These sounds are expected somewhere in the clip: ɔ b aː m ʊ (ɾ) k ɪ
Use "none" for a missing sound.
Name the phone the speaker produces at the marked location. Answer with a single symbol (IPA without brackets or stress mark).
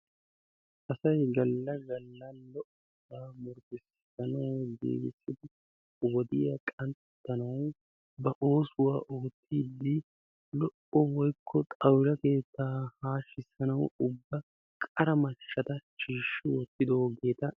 ɾ